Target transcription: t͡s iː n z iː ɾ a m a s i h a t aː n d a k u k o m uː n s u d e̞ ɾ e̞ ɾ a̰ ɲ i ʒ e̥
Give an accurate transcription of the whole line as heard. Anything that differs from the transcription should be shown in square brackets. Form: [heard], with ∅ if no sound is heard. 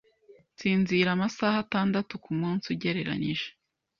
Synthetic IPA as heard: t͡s iː n z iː ɾ a m a s [a] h a t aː n d a [t] u k [u] m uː n s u [ɟ] e̞ ɾ e̞ ɾ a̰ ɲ i ʒ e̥